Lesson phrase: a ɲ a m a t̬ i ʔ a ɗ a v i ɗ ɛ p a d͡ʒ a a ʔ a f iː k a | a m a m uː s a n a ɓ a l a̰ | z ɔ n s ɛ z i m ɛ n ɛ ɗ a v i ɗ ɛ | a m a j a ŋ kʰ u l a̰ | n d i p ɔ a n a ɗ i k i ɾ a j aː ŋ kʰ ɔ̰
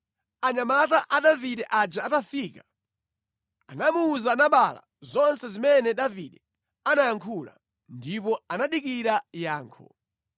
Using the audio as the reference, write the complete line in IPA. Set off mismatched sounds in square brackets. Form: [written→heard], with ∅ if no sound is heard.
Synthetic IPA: a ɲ a m a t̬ [i→a] ʔ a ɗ a v i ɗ ɛ [p→ʔ] a d͡ʒ a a [ʔ→t] a f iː k a | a [m→n] a m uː [s→z] a n a ɓ a l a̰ | z ɔ n s ɛ z i m ɛ n ɛ ɗ a v i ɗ ɛ | a [m→n] a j a ŋ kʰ u l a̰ | n d i p ɔ a n a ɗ i k i ɾ a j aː ŋ kʰ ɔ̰